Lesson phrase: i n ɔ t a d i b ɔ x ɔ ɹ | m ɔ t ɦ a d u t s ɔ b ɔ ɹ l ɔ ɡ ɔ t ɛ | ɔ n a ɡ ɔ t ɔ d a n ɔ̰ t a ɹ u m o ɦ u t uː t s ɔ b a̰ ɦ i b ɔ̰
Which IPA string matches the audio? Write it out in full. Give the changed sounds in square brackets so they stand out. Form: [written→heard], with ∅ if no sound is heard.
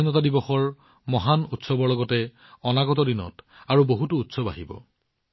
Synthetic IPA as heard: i n ɔ t a d i b ɔ x ɔ ɹ | m ɔ [t→∅] ɦ a [d→n] u t s ɔ b ɔ ɹ l ɔ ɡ ɔ t ɛ | ɔ n a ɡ ɔ t ɔ d [a→i] n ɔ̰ t a ɹ u [m→b] o ɦ u t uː t s ɔ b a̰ ɦ i b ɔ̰